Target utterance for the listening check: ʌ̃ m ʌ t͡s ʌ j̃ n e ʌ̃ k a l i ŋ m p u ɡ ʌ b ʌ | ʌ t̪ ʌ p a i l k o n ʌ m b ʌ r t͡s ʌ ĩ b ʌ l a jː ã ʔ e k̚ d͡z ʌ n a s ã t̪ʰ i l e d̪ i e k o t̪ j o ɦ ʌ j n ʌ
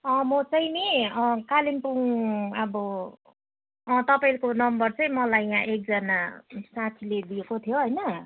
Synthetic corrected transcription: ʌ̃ m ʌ t͡s ʌ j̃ n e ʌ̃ k a l i m p u ŋ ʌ b ʌ | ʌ t̪ ʌ p a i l k o n ʌ m b ʌ r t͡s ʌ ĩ m ʌ l a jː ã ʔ e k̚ d͡z ʌ n a s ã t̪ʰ i l e d̪ i e k o t̪ʰ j o ɦ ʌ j n ʌ